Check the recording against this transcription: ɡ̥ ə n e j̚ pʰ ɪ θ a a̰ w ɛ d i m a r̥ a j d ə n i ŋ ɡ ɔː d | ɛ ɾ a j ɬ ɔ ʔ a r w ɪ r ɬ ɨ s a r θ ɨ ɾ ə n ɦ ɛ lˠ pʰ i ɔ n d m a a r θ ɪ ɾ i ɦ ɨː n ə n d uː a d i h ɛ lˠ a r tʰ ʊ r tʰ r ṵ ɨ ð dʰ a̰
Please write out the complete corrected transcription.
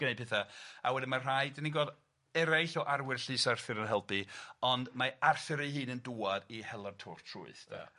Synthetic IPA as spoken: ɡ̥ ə n e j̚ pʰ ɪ θ a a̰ w ɛ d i m a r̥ a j d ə n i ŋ ɡ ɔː d | ɛ ɾ a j ɬ ɔ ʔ a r w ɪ r ɬ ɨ s a r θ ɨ ɾ ə n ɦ ɛ lˠ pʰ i ɔ n d m a a r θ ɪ ɾ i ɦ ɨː n ə n d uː a d i h ɛ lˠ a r tʰ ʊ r tʰ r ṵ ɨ θ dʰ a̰